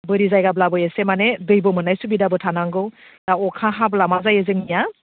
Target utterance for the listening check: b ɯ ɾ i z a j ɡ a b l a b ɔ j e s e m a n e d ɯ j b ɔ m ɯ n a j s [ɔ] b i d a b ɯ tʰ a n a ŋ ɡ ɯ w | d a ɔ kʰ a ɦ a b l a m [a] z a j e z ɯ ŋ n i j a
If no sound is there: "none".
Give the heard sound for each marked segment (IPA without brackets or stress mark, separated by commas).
u, a